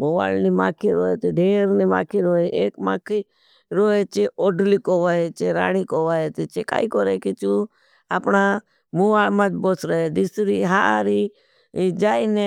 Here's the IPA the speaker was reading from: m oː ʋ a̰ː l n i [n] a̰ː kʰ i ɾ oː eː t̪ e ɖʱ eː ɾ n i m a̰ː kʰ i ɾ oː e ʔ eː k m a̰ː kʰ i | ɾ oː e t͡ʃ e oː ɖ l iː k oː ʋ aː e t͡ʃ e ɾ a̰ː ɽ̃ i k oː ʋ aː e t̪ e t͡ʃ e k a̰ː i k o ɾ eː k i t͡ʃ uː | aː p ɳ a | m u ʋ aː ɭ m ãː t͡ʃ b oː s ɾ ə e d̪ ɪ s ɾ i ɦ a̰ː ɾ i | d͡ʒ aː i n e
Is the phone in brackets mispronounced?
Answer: yes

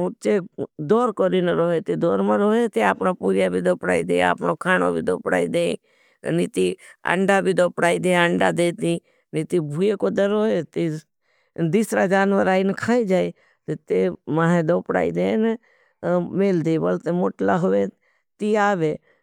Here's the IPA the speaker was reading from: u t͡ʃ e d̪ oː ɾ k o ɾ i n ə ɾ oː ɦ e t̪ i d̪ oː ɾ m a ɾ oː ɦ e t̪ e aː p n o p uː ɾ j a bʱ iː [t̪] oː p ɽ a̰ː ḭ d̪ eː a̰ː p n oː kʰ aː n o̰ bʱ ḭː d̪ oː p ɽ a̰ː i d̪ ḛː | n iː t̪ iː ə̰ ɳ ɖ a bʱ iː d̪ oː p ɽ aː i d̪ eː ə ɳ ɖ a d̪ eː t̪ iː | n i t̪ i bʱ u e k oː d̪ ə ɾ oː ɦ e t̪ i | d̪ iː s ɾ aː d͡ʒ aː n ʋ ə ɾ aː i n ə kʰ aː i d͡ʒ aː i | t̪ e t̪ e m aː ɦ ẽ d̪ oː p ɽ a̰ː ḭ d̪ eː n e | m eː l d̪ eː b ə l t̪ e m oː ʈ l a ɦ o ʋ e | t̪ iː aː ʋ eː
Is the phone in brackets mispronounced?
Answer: yes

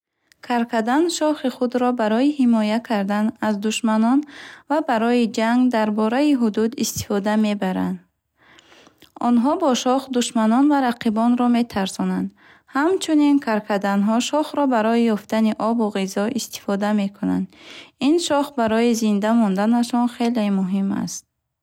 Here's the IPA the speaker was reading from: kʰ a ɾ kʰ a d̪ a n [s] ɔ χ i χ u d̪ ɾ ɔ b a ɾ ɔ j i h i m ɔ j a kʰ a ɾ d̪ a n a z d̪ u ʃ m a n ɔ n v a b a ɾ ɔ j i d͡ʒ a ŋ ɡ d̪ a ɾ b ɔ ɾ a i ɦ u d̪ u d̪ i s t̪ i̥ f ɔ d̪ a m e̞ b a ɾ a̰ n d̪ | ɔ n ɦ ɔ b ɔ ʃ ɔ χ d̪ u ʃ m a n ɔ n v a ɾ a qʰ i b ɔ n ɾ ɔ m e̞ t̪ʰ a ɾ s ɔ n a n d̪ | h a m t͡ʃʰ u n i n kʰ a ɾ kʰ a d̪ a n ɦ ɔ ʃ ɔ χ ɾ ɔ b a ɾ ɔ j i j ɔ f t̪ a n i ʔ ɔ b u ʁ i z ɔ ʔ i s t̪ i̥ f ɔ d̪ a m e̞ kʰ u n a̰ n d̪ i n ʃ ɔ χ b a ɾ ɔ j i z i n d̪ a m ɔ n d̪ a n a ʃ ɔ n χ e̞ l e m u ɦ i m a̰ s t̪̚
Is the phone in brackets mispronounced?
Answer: yes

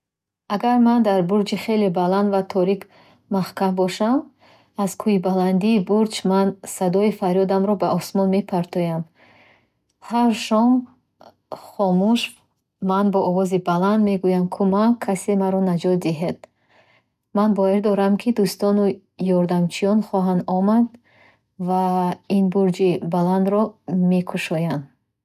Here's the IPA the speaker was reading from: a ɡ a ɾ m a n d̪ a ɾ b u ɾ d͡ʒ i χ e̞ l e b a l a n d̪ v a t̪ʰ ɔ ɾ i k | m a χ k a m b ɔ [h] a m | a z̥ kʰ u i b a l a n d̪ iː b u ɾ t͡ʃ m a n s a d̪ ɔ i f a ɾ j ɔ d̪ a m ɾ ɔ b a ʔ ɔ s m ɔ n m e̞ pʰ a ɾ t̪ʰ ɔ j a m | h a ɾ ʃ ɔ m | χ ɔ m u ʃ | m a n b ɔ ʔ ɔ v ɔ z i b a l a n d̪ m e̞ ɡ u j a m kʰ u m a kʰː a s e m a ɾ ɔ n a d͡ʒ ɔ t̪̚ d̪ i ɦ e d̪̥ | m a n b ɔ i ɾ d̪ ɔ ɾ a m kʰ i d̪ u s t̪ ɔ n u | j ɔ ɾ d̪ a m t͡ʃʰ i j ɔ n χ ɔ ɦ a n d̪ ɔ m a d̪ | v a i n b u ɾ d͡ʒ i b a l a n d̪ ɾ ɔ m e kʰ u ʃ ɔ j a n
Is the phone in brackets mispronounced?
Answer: yes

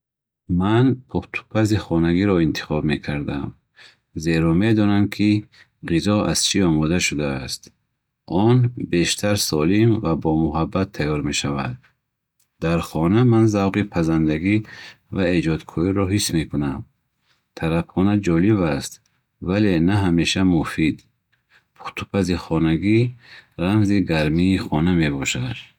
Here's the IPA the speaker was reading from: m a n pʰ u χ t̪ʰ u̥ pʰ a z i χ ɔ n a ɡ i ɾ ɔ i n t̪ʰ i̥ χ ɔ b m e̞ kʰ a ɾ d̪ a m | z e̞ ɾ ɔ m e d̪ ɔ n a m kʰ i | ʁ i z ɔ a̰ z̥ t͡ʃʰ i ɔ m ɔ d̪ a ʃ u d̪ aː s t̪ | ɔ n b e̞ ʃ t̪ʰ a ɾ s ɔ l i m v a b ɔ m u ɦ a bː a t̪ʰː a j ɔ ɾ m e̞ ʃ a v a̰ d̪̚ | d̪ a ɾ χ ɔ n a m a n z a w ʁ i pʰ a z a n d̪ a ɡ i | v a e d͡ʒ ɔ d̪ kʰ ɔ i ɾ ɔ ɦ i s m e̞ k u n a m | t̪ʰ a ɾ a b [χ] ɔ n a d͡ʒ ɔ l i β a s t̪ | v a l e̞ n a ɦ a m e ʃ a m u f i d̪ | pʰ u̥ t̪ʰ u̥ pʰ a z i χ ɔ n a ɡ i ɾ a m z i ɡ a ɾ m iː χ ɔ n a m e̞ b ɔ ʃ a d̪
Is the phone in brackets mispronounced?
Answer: no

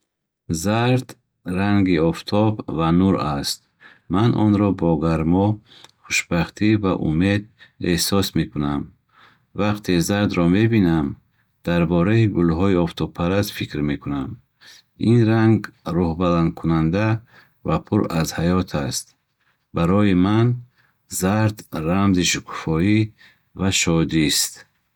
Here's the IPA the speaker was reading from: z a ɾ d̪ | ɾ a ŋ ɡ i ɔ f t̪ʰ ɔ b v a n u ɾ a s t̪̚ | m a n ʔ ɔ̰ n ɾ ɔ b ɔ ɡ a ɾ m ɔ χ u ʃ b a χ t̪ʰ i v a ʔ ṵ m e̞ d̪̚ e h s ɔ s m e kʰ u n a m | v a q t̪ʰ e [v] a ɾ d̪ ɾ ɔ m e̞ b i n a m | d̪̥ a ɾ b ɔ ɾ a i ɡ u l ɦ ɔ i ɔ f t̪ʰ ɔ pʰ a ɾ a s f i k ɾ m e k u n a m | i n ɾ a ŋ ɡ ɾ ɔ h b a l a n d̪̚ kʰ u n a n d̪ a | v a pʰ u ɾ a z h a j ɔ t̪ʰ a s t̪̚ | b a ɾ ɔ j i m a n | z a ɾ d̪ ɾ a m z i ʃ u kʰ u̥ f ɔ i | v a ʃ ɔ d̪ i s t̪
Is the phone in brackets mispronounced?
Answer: yes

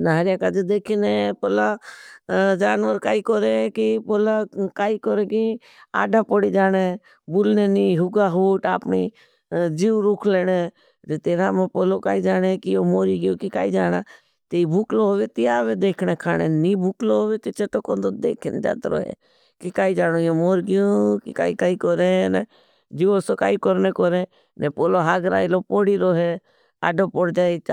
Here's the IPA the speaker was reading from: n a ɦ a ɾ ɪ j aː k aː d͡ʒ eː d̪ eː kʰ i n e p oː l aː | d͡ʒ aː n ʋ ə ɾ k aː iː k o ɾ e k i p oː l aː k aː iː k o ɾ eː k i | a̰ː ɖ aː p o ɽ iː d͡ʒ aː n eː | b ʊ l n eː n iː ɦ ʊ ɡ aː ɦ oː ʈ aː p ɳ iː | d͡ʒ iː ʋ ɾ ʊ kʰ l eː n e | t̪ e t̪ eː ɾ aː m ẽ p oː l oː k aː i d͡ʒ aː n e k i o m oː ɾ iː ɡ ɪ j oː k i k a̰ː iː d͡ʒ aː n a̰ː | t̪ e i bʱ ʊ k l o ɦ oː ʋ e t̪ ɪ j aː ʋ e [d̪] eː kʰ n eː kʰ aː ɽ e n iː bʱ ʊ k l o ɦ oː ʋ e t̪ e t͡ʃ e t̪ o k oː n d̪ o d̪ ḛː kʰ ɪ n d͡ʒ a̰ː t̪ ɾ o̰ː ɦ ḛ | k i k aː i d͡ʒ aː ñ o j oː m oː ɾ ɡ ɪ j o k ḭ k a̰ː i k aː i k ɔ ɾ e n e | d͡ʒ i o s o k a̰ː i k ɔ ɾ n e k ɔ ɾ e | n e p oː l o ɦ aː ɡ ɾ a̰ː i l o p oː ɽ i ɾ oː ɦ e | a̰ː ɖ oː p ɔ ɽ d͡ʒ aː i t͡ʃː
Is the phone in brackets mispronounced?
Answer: no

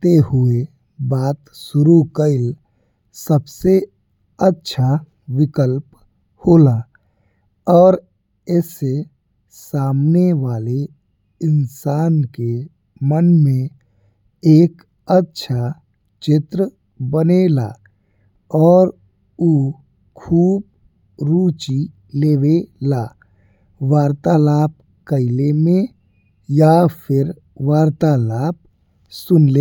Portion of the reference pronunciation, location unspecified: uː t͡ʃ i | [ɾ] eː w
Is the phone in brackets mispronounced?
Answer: yes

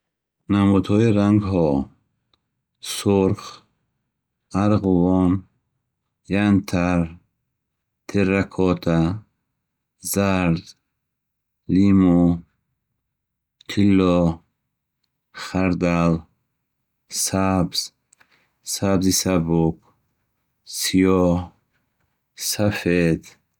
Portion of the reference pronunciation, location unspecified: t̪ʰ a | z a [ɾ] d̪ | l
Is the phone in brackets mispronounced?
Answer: no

